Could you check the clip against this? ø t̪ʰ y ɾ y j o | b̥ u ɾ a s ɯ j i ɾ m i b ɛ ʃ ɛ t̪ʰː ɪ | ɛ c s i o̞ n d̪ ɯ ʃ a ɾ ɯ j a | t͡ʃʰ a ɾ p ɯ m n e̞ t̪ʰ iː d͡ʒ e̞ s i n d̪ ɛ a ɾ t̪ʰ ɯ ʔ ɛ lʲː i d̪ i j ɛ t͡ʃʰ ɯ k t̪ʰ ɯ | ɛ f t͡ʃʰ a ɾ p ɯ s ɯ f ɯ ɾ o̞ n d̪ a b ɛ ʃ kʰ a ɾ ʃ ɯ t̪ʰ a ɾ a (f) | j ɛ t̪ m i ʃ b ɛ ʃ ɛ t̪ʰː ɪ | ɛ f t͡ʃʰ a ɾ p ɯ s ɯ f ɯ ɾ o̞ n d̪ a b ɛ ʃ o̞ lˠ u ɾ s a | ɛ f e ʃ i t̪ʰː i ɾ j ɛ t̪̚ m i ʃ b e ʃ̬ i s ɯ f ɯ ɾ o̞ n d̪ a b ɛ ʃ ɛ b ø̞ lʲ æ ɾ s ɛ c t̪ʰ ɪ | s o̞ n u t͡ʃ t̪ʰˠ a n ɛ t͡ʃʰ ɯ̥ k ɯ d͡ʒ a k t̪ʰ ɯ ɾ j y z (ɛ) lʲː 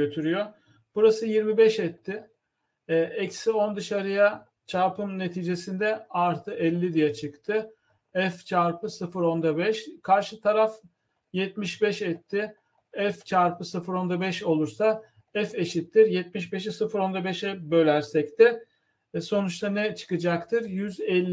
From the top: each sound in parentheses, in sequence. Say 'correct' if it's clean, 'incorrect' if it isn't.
correct, correct

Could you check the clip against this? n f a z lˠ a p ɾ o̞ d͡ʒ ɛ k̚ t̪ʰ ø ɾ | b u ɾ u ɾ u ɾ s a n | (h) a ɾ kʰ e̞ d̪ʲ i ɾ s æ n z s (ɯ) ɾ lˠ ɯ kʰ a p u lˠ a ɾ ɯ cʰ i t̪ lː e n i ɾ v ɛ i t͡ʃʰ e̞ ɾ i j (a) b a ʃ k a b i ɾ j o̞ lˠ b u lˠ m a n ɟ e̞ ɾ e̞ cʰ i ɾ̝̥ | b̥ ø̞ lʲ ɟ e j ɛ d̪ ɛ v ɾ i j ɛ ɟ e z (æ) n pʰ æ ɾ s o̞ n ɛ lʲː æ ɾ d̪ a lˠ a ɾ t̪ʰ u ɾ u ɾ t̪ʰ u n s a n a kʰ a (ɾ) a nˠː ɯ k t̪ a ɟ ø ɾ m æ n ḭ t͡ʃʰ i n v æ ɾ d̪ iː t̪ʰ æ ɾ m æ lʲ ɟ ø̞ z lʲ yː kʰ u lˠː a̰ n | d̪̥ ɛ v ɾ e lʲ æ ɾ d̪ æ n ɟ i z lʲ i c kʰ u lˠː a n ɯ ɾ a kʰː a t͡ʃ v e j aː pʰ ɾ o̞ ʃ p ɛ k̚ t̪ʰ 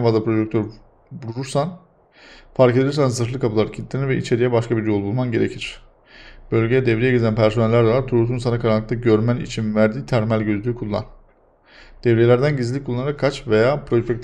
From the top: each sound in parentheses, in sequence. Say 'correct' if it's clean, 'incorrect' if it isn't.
incorrect, correct, incorrect, correct, correct

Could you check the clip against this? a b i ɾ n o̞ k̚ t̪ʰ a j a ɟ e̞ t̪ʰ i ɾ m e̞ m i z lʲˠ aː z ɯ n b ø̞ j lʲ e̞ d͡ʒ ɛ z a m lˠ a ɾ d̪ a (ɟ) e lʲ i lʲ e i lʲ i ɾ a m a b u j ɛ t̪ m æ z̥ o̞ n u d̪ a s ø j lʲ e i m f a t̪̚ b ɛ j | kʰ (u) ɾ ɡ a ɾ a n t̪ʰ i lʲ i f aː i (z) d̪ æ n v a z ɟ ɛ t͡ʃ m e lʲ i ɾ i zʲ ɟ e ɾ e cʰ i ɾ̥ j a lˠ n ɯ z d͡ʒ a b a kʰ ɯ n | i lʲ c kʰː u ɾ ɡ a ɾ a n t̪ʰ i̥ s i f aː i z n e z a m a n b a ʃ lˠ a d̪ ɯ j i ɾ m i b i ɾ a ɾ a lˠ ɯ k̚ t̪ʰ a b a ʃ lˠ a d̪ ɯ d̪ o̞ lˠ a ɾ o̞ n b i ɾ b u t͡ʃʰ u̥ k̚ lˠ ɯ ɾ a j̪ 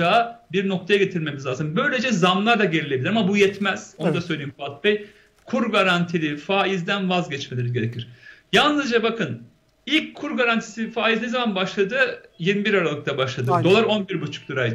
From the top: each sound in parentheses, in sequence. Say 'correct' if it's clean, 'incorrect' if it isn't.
correct, correct, correct

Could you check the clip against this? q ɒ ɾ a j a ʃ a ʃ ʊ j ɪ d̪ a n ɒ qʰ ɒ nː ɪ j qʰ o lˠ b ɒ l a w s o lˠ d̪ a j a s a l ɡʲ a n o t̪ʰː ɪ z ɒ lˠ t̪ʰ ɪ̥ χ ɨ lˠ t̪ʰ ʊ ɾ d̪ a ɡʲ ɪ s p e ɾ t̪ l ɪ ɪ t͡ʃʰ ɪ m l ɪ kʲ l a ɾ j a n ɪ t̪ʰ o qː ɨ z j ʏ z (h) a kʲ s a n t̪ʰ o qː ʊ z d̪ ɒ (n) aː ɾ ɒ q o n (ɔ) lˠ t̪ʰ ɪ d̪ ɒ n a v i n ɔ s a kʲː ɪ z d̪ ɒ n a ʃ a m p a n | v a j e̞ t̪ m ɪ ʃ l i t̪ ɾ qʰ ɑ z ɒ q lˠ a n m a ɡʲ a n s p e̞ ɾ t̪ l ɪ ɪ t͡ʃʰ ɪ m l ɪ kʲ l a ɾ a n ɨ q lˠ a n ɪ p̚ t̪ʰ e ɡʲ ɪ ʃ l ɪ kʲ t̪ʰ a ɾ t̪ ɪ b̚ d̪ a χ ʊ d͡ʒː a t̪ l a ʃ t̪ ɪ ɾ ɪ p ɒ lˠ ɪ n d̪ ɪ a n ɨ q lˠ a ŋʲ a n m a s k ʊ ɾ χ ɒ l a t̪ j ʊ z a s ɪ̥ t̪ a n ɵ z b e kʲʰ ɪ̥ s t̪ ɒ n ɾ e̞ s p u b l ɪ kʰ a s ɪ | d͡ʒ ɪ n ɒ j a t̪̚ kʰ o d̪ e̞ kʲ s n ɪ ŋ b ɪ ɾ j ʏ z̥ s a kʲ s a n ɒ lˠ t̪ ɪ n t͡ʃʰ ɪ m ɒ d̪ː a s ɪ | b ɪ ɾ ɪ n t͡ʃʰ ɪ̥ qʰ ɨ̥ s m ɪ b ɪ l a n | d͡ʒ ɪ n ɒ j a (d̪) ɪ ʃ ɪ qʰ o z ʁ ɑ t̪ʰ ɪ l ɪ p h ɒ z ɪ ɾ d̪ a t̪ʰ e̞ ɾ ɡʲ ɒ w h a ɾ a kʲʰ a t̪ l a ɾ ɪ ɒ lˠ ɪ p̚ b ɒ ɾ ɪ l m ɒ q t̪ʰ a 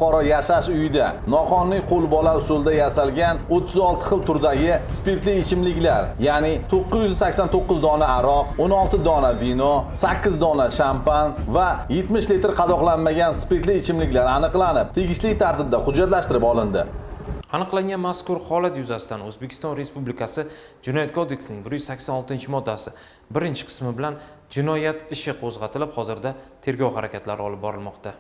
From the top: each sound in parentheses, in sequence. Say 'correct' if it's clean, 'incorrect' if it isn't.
incorrect, correct, incorrect, incorrect

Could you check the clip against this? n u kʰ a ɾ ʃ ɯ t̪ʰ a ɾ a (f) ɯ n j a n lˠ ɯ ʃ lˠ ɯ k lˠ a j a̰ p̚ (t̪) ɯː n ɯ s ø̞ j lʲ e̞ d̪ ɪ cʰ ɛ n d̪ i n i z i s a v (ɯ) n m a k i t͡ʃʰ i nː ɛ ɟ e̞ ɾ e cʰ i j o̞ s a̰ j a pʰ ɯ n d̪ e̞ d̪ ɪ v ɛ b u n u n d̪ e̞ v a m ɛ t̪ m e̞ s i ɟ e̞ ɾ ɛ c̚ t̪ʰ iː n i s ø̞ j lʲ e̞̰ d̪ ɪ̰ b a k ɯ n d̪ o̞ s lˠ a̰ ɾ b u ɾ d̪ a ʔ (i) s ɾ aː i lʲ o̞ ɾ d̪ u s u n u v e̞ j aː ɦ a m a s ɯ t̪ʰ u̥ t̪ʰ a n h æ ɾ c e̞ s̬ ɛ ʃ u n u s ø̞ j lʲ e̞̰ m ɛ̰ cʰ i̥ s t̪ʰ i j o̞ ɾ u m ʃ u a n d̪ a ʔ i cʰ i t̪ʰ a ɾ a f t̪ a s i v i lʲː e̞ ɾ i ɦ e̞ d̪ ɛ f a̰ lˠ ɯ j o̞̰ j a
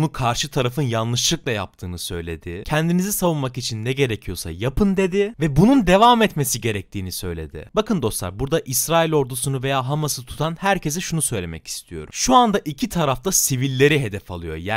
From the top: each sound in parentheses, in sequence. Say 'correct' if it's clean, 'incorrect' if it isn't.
correct, incorrect, incorrect, correct

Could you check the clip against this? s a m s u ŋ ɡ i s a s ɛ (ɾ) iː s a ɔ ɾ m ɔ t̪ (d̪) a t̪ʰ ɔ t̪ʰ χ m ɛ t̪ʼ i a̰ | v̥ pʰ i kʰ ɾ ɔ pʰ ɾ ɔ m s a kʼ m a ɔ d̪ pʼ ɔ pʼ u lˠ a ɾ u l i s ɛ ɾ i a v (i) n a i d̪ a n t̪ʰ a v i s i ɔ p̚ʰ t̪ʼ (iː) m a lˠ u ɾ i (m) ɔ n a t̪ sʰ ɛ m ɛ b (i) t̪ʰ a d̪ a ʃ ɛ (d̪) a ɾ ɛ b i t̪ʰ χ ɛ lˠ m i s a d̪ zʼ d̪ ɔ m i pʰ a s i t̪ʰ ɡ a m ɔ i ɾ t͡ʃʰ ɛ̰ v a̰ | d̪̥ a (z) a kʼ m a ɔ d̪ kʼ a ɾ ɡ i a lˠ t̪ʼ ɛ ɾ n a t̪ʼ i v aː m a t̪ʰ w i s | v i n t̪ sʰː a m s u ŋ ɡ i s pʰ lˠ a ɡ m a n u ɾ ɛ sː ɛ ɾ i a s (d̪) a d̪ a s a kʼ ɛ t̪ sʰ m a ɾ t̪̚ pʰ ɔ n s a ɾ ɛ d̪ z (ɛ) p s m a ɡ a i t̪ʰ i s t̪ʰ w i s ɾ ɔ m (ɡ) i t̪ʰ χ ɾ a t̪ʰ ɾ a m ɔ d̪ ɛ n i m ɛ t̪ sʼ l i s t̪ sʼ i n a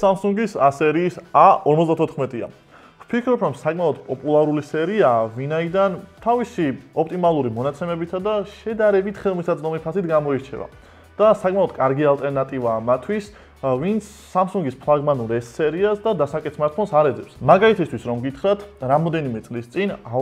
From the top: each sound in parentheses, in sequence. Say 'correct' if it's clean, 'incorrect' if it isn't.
correct, correct, correct, incorrect, correct, correct, correct, incorrect, correct, correct, correct

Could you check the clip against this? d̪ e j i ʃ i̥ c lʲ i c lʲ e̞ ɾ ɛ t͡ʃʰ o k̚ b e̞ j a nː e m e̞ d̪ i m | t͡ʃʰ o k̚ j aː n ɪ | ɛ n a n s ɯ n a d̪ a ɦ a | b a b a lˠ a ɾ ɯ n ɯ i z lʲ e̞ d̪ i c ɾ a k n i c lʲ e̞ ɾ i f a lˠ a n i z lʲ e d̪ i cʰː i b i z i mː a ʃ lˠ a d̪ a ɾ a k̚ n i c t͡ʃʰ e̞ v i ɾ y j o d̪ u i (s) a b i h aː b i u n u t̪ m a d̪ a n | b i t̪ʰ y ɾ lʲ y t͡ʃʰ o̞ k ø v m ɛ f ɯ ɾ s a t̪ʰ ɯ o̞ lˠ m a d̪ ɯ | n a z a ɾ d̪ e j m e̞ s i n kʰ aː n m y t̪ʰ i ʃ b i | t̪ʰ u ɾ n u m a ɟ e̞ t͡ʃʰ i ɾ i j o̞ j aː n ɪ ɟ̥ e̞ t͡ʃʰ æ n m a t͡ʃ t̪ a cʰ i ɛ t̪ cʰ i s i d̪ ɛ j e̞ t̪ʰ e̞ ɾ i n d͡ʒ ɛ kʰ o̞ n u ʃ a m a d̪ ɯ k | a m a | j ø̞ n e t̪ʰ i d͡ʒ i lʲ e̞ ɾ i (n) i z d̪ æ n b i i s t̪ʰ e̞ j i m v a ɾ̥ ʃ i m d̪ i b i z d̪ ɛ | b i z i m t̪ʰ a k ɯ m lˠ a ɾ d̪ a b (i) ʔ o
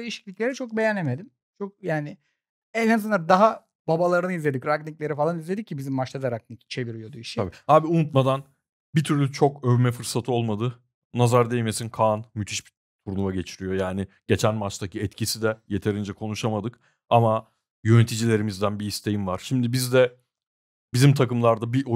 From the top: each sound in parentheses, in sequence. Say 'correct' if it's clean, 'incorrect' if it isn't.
incorrect, incorrect, correct

